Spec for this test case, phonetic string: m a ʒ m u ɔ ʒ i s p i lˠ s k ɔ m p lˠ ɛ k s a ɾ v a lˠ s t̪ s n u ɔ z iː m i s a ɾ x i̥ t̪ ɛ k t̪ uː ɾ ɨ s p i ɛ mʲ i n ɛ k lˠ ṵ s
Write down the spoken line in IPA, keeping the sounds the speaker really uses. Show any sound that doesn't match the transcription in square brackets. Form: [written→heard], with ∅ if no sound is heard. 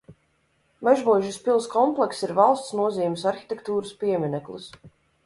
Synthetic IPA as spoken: m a ʒ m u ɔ ʒ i s p i lˠ s k ɔ m p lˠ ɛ k s [a→i] ɾ v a lˠ s t̪ s n u ɔ z iː m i s a ɾ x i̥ t̪ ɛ k t̪ uː ɾ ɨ s p i ɛ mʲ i n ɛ k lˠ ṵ s